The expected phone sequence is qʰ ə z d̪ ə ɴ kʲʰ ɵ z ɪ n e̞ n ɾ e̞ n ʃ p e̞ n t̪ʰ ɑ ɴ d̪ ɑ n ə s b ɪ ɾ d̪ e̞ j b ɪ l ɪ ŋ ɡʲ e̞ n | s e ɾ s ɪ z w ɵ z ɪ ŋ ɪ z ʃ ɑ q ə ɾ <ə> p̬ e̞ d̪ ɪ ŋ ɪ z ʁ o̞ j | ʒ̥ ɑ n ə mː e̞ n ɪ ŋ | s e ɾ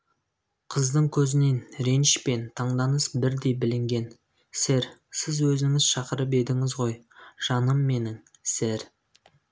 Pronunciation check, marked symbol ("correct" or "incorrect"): correct